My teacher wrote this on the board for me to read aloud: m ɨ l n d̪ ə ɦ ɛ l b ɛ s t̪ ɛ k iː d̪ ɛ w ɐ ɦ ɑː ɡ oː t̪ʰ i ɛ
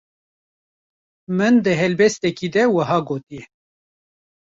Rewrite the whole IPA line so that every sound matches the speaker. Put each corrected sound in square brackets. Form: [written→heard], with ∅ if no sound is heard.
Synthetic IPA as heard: m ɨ [l→∅] n d̪ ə ɦ ɛ l b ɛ s t̪ ɛ k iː d̪ ɛ w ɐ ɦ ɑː ɡ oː [t̪ʰ→t̪] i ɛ